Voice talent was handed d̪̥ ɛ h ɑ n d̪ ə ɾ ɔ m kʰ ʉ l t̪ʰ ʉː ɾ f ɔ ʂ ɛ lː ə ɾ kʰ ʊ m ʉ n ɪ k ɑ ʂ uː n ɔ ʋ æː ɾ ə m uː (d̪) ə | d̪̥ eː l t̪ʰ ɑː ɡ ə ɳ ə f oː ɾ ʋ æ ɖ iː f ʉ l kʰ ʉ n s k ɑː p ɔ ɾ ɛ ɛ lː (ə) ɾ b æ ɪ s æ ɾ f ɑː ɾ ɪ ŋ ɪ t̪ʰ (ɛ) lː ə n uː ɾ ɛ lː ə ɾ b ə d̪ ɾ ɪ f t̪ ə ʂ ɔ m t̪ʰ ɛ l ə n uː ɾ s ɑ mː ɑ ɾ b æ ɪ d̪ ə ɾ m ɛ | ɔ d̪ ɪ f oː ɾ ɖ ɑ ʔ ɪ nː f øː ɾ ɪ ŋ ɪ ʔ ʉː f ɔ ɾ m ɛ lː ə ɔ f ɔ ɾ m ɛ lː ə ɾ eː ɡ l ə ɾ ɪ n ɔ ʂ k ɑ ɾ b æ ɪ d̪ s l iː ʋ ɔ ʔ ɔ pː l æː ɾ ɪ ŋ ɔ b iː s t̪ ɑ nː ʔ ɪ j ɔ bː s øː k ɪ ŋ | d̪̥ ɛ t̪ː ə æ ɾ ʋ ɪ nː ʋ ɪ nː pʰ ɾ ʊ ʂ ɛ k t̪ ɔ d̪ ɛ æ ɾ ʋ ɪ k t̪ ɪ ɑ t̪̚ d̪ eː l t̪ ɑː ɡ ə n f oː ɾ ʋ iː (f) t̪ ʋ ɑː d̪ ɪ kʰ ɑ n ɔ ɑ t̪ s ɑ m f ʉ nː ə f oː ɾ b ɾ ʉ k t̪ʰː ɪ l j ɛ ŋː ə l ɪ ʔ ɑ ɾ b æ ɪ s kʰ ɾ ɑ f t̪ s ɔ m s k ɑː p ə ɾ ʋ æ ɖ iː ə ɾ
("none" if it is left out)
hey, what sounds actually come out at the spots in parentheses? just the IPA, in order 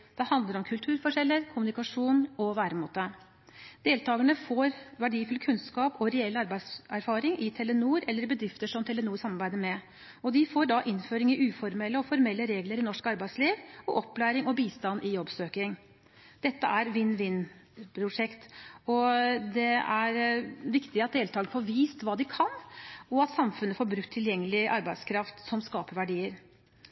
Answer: t̪, ɑ, ɛ, s

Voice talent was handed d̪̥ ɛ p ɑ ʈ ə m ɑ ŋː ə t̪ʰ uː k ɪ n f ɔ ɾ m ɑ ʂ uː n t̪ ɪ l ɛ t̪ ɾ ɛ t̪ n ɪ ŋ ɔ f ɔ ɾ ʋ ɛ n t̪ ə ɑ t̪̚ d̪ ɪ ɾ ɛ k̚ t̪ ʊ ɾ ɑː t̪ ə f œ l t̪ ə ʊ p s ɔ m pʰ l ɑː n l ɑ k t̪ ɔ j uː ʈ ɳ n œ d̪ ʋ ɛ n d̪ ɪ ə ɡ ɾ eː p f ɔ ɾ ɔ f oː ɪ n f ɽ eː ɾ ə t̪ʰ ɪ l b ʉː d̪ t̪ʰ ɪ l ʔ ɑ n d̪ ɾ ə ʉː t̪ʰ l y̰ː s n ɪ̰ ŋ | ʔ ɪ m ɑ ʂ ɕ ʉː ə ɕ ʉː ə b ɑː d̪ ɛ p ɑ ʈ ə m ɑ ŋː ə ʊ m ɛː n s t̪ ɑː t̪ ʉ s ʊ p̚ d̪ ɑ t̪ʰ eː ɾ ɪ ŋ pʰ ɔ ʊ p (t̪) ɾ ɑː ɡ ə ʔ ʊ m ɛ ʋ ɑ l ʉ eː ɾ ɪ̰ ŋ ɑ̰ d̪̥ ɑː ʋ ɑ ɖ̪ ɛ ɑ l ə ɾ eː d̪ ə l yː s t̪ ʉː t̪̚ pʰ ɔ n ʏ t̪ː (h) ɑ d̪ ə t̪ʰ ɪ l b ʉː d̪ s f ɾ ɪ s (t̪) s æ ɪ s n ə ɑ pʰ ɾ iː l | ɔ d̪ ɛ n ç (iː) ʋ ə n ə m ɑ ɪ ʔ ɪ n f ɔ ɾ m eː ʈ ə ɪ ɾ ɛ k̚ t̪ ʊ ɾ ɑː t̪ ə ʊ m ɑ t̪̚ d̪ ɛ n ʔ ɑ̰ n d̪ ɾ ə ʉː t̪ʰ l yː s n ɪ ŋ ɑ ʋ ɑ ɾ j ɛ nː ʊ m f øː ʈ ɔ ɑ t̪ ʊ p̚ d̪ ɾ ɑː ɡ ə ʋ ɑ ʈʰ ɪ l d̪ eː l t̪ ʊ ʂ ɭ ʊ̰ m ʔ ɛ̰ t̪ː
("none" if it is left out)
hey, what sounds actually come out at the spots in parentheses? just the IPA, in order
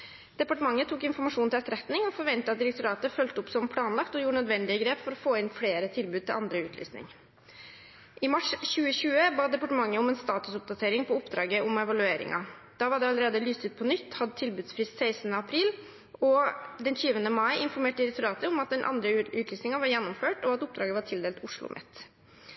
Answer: d̪, h, t̪, yː

